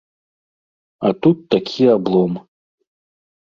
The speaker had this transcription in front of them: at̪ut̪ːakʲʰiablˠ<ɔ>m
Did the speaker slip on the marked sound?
no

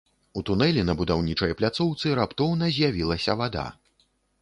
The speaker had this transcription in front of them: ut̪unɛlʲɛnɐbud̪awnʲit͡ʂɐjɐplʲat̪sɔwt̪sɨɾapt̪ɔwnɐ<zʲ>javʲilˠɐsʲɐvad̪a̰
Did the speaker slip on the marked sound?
no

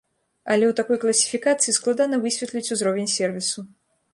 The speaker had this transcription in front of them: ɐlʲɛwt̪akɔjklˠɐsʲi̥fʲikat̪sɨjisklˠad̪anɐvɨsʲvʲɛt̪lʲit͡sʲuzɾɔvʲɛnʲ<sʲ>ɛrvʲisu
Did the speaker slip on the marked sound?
no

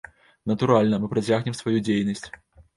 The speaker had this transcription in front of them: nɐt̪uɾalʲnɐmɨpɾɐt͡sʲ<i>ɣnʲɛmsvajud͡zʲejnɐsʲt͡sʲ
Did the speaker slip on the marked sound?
yes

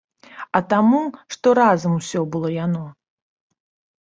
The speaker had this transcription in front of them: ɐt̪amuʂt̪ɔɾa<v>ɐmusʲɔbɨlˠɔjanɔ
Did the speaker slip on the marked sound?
yes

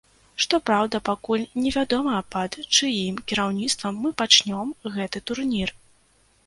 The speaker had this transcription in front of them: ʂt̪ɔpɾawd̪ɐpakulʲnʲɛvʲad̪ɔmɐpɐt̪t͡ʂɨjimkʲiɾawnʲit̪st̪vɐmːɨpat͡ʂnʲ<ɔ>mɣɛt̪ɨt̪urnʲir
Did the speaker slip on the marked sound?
no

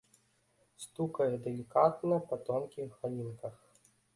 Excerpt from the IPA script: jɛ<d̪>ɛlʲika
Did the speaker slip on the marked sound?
no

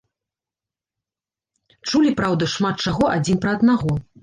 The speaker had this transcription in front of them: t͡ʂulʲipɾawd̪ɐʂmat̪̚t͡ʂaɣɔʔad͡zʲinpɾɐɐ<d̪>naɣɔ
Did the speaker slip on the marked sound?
no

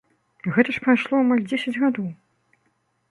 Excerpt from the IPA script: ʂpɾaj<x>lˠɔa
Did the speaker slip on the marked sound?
yes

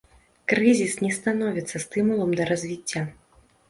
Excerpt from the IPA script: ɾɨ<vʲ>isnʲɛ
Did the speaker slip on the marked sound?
yes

